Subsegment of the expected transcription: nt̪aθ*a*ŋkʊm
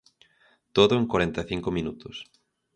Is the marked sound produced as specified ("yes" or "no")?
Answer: no